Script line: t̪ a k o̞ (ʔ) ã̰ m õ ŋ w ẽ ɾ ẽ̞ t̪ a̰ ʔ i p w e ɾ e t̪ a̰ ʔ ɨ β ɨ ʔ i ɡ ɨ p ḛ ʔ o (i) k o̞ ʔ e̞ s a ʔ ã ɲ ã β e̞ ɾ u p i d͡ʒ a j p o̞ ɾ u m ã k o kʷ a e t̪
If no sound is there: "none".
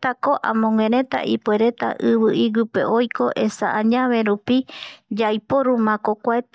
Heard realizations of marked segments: ʔ, j

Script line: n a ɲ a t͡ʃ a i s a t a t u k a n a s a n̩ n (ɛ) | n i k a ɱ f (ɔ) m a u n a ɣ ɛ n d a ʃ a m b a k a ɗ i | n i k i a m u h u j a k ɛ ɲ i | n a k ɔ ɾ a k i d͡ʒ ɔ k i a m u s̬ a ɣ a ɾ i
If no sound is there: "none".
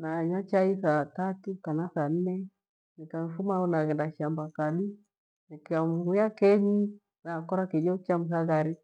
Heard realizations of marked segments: ɛ, u

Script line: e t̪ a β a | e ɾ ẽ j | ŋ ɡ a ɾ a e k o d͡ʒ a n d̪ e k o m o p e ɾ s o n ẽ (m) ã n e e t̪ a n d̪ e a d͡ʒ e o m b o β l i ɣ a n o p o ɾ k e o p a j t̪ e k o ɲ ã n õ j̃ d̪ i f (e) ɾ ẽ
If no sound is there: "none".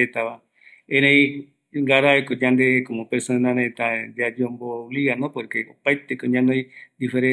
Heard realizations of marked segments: n, e

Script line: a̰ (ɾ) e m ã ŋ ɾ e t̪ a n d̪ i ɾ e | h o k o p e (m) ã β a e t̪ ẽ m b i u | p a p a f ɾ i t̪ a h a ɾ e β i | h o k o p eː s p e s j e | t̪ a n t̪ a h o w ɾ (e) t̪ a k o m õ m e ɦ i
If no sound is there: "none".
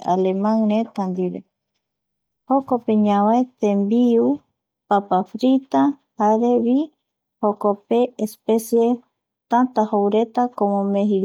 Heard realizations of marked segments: l, ɲ, e

